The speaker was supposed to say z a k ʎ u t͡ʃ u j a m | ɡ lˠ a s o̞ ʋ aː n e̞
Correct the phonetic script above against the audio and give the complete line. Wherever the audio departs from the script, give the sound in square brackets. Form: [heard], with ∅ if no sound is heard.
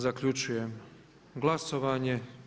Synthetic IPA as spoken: z a k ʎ u t͡ʃ u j [e] m | ɡ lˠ a s o̞ ʋ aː [ɲ] e̞

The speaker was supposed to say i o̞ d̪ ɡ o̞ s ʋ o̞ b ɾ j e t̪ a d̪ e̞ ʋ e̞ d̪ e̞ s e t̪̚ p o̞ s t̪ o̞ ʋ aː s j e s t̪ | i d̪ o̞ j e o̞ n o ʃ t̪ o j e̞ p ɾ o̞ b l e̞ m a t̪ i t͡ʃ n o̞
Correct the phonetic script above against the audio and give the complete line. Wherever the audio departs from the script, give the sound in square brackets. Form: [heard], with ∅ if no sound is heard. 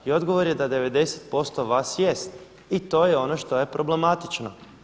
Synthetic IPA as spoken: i o̞ d̪ ɡ o̞ [∅] ʋ o̞ [∅] ɾ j e [d̪] a d̪ e̞ ʋ e̞ d̪ e̞ s e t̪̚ p o̞ s t̪ o̞ ʋ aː s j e s t̪ | i [t̪] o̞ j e o̞ n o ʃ t̪ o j e̞ p ɾ o̞ b l e̞ m a t̪ i t͡ʃ n o̞

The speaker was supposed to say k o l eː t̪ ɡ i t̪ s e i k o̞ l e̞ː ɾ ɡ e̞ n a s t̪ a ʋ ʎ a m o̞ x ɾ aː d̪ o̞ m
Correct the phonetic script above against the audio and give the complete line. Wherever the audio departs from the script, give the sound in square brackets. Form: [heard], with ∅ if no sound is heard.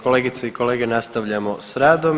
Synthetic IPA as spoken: k o l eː [∅] ɡ i t̪ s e i k o̞ l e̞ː [∅] ɡ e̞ n a s t̪ a ʋ ʎ a m o̞ [s] ɾ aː d̪ o̞ m

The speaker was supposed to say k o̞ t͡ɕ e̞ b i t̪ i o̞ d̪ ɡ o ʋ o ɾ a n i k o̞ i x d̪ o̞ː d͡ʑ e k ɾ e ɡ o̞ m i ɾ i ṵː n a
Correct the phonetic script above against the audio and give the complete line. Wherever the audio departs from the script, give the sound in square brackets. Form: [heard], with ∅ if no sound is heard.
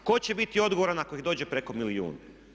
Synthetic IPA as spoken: k o̞ t͡ɕ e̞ b i t̪ i o̞ d̪ ɡ o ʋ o ɾ a n [a] k o̞ i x d̪ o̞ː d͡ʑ e [p] ɾ e [k] o̞ m i [l] i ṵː n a

